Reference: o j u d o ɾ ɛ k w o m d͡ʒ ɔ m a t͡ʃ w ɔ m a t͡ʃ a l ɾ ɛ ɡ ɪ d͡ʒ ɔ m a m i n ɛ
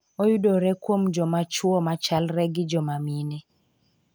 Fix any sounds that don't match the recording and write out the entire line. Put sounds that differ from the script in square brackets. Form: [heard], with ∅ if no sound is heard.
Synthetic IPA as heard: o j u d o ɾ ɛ k w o m d͡ʒ ɔ m a t͡ʃ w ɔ m a t͡ʃ a l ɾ ɛ ɡ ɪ d͡ʒ ɔ m a m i n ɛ

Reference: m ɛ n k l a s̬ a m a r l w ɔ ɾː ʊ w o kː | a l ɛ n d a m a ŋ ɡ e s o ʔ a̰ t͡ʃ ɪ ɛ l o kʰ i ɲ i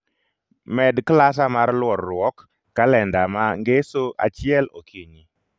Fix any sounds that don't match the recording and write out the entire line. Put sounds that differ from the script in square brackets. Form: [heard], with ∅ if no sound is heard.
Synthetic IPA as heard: m ɛ [d] k l a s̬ a m a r l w ɔ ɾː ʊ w [ɔ] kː | a l ɛ n d a m a ŋ ɡ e s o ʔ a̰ t͡ʃ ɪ ɛ l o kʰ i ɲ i

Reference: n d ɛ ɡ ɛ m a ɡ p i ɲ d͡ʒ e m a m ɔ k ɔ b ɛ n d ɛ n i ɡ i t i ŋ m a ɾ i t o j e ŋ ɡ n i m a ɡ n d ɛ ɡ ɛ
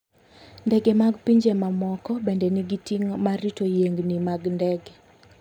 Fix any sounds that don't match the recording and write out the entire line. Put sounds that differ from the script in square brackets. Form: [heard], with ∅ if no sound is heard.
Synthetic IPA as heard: n d ɛ ɡ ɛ m a ɡ p i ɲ d͡ʒ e m a m ɔ k ɔ b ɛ n d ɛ n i ɡ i t i ŋ m a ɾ i t o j e ŋ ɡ n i m a ɡ n d ɛ ɡ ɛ

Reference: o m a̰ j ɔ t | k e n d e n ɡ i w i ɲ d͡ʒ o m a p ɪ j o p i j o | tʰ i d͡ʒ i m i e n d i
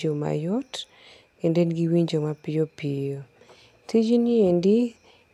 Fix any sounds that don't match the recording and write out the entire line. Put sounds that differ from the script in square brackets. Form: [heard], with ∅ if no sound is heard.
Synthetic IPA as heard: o m a̰ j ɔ t | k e n d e n ɡ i w i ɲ d͡ʒ o m a p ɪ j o p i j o | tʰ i d͡ʒ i [n] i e n d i

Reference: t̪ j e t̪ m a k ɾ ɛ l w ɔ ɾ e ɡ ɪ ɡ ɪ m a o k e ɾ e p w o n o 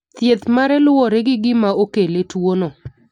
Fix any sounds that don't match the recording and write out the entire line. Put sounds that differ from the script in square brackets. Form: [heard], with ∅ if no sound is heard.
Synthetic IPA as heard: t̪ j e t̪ m a [∅] ɾ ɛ l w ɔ ɾ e ɡ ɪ ɡ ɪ m a o k e [l] e [t] w o n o

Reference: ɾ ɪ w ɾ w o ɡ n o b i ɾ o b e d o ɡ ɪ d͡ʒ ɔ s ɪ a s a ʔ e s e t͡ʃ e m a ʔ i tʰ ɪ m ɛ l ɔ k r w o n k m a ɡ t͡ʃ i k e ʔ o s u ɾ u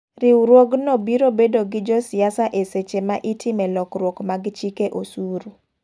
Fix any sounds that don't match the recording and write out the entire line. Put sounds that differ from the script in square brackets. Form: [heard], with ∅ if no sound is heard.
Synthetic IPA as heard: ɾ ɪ w ɾ w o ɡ n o b i ɾ o b e d o ɡ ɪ d͡ʒ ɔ s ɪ a s a ʔ e s e t͡ʃ e m a ʔ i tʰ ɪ m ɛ l ɔ k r w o [∅] k m a ɡ t͡ʃ i k e ʔ o s u ɾ u

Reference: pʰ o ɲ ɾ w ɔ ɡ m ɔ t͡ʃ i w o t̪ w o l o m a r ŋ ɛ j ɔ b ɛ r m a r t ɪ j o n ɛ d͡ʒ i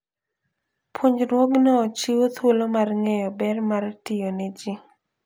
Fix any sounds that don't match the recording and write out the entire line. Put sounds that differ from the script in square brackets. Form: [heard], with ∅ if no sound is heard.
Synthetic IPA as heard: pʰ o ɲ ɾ w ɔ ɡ [n] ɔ t͡ʃ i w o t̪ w o l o m a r ŋ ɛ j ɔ b ɛ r m a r t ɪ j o n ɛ d͡ʒ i

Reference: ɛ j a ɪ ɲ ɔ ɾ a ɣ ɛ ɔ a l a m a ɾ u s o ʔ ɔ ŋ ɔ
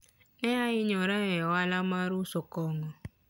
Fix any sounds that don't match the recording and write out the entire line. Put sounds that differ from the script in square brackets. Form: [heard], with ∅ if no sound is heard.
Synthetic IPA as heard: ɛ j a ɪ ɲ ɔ ɾ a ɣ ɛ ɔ a l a m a ɾ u s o [k] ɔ ŋ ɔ

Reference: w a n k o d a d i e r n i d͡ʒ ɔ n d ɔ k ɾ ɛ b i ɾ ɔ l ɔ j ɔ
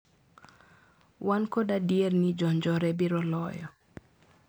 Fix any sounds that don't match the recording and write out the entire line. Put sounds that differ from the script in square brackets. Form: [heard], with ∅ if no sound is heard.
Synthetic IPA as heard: w a n k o d a d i e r n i d͡ʒ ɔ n [d͡ʒ] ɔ [∅] ɾ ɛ b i ɾ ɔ l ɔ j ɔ

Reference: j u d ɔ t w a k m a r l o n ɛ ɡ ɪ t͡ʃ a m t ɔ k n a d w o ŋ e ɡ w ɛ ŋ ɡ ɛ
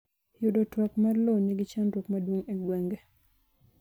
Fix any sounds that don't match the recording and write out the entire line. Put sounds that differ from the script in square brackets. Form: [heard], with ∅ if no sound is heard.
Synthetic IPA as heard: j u d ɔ t w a k m a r l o n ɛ ɡ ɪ t͡ʃ a [n] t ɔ k [m] a d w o ŋ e ɡ w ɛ ŋ ɡ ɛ

